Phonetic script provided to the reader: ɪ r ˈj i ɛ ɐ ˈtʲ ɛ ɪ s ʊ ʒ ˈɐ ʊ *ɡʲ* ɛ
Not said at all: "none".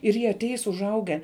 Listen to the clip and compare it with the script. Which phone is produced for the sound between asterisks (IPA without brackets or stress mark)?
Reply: ɡʲ